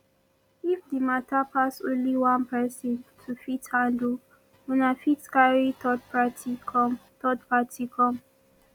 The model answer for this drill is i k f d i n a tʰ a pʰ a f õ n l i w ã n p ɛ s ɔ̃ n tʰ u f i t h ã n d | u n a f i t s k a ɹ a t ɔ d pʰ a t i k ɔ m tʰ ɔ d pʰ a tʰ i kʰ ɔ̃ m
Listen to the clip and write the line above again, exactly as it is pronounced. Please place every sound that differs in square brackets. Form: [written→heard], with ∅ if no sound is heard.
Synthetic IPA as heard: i [k→∅] f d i [n→m] a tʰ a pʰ a [f→s] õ n l i w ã n p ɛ s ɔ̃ n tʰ u f i t h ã n d | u n a f i t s k a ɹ [a→i] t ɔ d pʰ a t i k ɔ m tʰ ɔ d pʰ a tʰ i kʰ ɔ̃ m